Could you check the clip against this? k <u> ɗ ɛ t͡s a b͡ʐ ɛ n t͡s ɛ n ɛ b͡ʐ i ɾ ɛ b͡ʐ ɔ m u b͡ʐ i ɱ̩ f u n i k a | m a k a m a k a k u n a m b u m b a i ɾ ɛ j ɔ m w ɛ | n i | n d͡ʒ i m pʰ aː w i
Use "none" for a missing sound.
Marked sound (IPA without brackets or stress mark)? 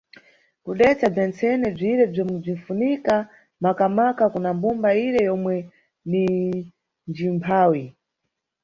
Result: u